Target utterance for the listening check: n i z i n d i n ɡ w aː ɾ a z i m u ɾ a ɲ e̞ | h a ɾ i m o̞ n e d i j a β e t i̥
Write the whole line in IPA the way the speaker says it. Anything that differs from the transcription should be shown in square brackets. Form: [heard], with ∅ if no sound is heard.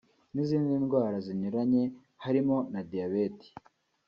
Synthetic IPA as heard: n i z [iː] n d i n ɡ w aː ɾ a z i [ɲ] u ɾ a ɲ e̞ | h a ɾ i m o̞ n [a] d i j a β e t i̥